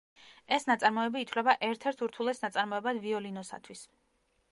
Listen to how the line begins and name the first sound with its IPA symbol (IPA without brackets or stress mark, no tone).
ɛ